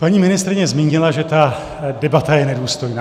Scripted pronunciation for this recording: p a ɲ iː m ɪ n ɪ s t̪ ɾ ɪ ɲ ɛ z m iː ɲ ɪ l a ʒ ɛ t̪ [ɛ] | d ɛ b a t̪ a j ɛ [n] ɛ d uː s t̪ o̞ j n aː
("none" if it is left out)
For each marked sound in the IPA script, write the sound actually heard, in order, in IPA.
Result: a, n

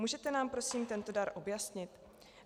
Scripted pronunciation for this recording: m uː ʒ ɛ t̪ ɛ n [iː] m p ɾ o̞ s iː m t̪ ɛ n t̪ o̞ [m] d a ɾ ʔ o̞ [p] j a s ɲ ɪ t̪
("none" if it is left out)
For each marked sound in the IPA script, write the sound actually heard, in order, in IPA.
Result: aː, none, b

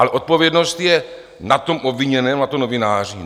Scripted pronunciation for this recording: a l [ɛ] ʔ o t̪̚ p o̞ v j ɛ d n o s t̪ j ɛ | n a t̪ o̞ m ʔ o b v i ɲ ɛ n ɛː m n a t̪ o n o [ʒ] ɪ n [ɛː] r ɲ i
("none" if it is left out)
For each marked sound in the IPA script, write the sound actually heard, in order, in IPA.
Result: ɛ, v, aː

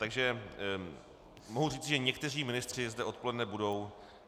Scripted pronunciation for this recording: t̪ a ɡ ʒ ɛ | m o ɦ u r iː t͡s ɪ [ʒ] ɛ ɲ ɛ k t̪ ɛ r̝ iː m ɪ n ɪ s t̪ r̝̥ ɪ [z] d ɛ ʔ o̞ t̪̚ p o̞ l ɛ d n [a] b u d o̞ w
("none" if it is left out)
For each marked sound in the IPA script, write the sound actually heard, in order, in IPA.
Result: ʒ, z, ɛ

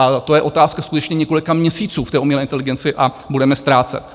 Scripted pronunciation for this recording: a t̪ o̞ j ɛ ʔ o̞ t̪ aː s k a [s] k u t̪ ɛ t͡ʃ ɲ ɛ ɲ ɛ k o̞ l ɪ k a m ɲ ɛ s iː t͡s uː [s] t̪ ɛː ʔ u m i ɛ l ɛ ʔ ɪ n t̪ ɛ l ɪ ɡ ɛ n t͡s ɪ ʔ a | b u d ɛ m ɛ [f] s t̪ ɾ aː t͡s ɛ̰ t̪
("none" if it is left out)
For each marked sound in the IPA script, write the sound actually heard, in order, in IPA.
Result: s, f, none

